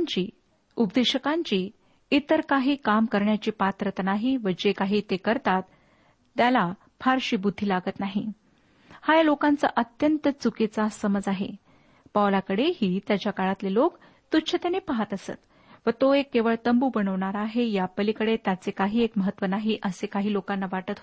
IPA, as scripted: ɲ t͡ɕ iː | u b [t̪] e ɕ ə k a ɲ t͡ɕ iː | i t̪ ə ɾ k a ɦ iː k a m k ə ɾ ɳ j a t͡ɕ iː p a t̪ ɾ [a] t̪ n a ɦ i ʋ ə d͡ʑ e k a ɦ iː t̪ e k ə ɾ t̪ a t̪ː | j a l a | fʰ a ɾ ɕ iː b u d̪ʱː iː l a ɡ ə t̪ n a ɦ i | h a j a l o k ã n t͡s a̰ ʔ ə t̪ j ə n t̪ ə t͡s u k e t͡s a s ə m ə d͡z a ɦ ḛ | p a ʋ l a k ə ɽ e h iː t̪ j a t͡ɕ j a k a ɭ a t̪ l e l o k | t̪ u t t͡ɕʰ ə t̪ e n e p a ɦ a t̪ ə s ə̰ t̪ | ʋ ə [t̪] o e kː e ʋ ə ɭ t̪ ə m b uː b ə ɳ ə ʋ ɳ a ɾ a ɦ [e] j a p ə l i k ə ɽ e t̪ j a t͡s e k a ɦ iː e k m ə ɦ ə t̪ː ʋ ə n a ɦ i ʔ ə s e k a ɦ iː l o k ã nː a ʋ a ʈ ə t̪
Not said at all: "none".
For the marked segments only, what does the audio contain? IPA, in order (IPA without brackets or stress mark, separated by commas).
d̪, ə, t̪, e